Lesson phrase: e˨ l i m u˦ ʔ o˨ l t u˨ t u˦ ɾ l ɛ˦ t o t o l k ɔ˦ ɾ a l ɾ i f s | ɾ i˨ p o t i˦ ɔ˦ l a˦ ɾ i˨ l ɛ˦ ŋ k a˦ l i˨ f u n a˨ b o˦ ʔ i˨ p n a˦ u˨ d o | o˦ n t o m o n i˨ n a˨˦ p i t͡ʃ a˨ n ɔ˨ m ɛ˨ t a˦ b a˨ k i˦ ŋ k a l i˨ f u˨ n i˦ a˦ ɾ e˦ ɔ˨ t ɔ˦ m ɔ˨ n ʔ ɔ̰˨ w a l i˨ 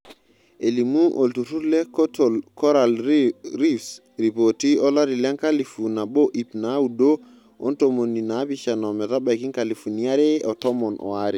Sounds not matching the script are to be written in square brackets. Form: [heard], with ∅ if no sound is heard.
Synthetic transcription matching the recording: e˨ l i m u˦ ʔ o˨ l t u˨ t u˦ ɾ l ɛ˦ [k] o t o l k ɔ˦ ɾ a l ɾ i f s | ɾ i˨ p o t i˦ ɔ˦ l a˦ ɾ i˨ l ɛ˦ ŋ k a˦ l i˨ f u n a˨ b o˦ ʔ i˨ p n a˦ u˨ d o | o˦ n t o m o n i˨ n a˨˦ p i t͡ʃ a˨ n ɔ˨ m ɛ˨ t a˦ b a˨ k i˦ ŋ k a l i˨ f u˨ n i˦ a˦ ɾ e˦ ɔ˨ t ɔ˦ m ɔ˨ n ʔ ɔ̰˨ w a [ɾ] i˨

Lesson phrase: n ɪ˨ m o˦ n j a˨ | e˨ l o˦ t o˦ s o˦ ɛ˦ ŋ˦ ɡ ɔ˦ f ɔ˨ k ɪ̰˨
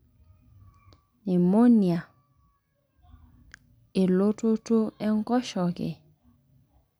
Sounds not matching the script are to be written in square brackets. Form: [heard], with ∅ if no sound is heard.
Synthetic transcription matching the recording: n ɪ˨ m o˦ n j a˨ | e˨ l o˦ t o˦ [t] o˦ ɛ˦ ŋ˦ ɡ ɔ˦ [ʃ] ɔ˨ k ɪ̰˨

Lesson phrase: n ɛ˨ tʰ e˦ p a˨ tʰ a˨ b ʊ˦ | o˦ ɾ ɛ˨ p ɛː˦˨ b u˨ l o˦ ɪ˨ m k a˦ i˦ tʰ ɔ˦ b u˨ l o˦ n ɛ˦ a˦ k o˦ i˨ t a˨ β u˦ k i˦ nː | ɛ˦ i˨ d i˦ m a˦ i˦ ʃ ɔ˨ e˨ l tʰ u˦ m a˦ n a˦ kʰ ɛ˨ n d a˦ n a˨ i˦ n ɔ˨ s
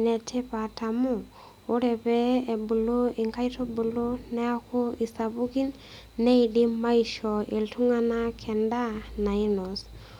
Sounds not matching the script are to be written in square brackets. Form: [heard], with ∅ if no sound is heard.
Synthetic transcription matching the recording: n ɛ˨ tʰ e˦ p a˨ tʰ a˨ [m] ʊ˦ | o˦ ɾ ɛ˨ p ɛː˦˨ b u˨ l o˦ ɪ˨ [ŋ] k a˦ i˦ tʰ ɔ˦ b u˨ l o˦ n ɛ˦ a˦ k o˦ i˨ [s] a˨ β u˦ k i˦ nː | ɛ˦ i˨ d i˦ m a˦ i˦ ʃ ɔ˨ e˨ l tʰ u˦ [ŋ] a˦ n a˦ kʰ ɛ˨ n d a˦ n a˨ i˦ n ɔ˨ s

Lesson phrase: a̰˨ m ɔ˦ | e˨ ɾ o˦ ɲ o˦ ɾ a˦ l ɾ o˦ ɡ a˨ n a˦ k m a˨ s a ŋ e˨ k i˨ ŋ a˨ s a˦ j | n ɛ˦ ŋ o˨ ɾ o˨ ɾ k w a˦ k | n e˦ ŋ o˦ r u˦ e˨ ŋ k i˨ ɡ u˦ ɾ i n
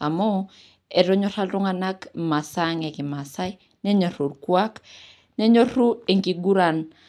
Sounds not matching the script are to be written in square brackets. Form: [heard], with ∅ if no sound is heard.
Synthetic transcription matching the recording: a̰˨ m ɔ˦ | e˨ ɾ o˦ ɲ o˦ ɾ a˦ l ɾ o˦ [ŋ] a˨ n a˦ k m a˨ s a ŋ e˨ k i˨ [m] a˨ s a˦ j | n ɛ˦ [ɲ] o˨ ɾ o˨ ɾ k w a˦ k | n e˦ [ɲ] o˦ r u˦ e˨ ŋ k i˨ ɡ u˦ ɾ [a] n

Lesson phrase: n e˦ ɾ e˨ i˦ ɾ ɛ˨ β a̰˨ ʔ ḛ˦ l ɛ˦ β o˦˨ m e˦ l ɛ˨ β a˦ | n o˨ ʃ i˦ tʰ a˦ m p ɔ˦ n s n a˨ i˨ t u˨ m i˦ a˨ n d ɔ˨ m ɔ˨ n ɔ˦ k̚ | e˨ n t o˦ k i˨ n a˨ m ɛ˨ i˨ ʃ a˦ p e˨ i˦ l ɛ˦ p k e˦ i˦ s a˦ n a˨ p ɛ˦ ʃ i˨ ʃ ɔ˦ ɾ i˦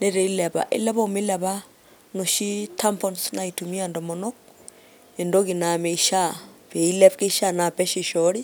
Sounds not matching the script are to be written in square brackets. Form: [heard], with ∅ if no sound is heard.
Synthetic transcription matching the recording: n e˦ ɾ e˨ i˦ [l] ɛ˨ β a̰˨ ʔ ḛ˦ l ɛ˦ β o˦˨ m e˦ l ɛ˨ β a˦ | n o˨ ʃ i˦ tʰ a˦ m p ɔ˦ n s n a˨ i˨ t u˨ m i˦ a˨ n d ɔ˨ m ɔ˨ n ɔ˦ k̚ | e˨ n [d] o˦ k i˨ n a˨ m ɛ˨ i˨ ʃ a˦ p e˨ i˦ l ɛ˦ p k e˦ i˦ [ʃ] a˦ n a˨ p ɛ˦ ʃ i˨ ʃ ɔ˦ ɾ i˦

